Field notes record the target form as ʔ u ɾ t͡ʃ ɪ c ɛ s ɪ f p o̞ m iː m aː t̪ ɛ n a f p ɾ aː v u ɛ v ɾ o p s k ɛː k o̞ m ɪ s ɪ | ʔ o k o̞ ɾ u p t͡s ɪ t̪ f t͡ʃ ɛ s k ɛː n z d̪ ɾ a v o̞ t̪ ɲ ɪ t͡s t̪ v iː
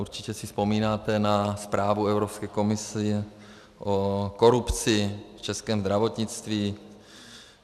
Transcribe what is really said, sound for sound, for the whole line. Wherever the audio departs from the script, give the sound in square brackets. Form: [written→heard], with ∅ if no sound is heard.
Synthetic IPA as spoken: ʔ u ɾ t͡ʃ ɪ c ɛ s ɪ [f→s] p o̞ m iː [m→n] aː t̪ ɛ n a [f→s] p ɾ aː v u ɛ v ɾ o p s k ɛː k o̞ m ɪ s ɪ | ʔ o k o̞ ɾ u p t͡s ɪ [t̪→∅] f t͡ʃ ɛ s k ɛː [n→m] z d̪ ɾ a v o̞ t̪ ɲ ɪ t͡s t̪ v iː

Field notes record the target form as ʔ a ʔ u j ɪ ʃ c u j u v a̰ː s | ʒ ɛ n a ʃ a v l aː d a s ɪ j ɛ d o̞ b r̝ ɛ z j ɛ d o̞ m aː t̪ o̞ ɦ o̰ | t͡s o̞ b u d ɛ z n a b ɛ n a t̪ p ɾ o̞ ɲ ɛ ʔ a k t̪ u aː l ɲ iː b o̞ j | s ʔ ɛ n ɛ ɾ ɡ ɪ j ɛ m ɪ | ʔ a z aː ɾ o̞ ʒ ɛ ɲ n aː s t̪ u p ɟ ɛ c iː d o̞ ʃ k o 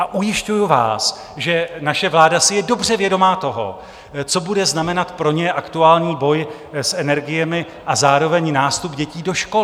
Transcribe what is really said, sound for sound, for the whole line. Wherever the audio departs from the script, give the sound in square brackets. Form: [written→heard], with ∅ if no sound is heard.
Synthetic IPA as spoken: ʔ a ʔ u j ɪ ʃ c u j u v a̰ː s | ʒ ɛ n a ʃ [a→ɛ] v l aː d a s ɪ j ɛ d o̞ b r̝ ɛ [z→v] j ɛ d o̞ m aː t̪ o̞ ɦ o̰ | t͡s o̞ b u d ɛ z n a [b→m] ɛ n a t̪ p ɾ o̞ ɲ ɛ ʔ a k t̪ u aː l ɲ iː b o̞ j | s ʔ ɛ n ɛ ɾ ɡ ɪ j ɛ m ɪ | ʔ a z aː ɾ o̞ [ʒ→v] ɛ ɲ n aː s t̪ u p ɟ ɛ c iː d o̞ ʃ k o

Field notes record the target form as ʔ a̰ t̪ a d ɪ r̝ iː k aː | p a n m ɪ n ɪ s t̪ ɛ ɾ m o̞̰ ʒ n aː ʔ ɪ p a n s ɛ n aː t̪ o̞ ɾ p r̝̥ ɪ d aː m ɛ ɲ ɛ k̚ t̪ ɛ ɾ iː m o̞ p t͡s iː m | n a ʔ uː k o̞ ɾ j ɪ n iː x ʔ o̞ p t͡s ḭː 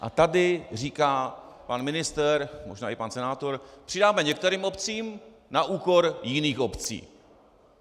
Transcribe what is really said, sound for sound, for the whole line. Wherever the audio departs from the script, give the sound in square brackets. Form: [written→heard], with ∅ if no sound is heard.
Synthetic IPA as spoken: ʔ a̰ t̪ a d ɪ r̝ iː k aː | p a n m ɪ n ɪ s t̪ ɛ ɾ m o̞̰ ʒ n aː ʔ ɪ p a n s ɛ n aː t̪ o̞ ɾ p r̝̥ ɪ d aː m ɛ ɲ ɛ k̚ t̪ ɛ ɾ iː m o̞ p t͡s iː m | n a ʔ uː k o̞ ɾ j ɪ n iː x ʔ o̞ p t͡s ḭː

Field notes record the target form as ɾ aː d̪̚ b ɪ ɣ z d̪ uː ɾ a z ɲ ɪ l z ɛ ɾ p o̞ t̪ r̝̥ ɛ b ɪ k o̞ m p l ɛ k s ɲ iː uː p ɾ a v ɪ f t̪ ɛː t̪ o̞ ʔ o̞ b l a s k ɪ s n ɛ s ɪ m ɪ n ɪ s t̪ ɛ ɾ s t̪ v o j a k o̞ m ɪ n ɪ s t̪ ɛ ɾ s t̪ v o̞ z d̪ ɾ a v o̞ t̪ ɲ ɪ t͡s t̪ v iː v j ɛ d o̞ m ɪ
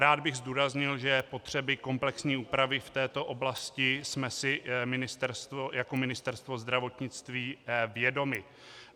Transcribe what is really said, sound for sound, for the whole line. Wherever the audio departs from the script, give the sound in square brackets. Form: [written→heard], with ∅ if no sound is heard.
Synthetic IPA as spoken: ɾ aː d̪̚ b ɪ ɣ z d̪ uː ɾ a z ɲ ɪ l [z→ʒ] ɛ [ɾ→∅] p o̞ t̪ r̝̥ ɛ b ɪ k o̞ m p l ɛ k s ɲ iː uː p ɾ a v ɪ f t̪ ɛː t̪ o̞ ʔ o̞ b l a s [k→c] ɪ s [n→m] ɛ s ɪ m ɪ n ɪ s t̪ ɛ ɾ s t̪ v o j a k o̞ m ɪ n ɪ s t̪ ɛ ɾ s t̪ v o̞ z d̪ ɾ a v o̞ t̪ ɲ ɪ t͡s t̪ v iː v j ɛ d o̞ m ɪ

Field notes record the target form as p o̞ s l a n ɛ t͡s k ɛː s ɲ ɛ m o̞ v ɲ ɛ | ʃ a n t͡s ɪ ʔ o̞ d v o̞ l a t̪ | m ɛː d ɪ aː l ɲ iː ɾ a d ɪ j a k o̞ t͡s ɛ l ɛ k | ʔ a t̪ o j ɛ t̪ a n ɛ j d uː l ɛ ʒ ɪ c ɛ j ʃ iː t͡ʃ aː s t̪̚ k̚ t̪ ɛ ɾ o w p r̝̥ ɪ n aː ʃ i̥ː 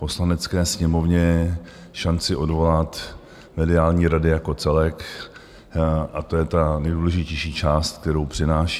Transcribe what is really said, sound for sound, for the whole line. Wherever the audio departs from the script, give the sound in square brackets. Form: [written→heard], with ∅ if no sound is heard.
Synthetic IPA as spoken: p o̞ s l a n ɛ t͡s k ɛː s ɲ ɛ m o̞ v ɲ ɛ | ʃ a n t͡s ɪ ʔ o̞ d v o̞ l a t̪ | m [ɛː→ɛ] d ɪ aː l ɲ iː ɾ a d ɪ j a k o̞ t͡s ɛ l ɛ k | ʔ a t̪ o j ɛ t̪ a n ɛ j d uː l ɛ ʒ ɪ c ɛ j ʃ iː t͡ʃ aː s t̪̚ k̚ t̪ ɛ ɾ o w p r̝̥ ɪ n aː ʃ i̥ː

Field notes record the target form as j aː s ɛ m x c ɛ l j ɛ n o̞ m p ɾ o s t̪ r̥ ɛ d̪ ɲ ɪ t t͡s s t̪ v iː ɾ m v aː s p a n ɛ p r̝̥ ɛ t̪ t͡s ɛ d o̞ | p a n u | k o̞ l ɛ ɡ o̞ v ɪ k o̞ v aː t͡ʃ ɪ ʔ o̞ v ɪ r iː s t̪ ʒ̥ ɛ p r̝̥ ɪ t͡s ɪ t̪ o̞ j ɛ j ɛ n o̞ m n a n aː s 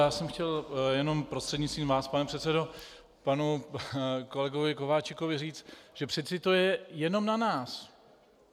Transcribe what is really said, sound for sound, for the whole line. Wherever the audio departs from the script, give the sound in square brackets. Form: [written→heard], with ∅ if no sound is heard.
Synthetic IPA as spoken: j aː s ɛ m x c ɛ l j ɛ n o̞ m p ɾ o s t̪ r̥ ɛ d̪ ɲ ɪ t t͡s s t̪ v iː [ɾ→∅] m v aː s p a n ɛ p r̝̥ ɛ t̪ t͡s ɛ d o̞ | p a n u | k o̞ l ɛ ɡ o̞ v ɪ k o̞ v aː t͡ʃ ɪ [ʔ→k] o̞ v ɪ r iː [s→t͡s] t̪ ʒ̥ ɛ p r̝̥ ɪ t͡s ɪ t̪ o̞ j ɛ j ɛ n o̞ m n a n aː s

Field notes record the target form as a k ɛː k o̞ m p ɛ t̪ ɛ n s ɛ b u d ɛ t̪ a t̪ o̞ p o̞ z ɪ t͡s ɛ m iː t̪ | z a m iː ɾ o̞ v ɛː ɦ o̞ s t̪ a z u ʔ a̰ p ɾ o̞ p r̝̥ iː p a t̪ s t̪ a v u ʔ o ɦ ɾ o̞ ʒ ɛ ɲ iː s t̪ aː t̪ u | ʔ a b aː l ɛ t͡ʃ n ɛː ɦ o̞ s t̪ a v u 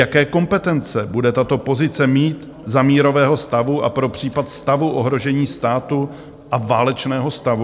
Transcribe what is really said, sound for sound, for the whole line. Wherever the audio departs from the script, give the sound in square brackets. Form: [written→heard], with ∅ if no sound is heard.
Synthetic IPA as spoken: a k ɛː k o̞ m p ɛ t̪ ɛ n [s→t͡s] ɛ b u d ɛ t̪ a t̪ o̞ p o̞ z ɪ t͡s ɛ m iː t̪ | z a m iː ɾ o̞ v ɛː ɦ o̞ s t̪ a [z→v] u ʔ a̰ p ɾ o̞ p r̝̥ iː p a t̪ s t̪ a v u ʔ o ɦ ɾ o̞ ʒ ɛ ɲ iː s t̪ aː t̪ u | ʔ a [b→v] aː l ɛ t͡ʃ n ɛː ɦ o̞ s t̪ a v u

